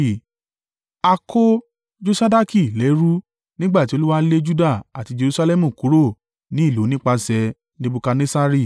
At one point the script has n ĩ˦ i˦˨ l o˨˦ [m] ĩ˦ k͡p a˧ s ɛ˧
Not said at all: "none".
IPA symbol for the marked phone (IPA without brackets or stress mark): n